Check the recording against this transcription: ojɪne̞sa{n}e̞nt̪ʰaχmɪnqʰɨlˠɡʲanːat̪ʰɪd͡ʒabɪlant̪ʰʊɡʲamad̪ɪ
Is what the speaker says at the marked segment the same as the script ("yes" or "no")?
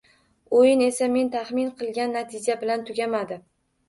no